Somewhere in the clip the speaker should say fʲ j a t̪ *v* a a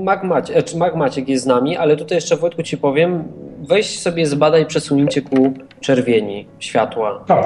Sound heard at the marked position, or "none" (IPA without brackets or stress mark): w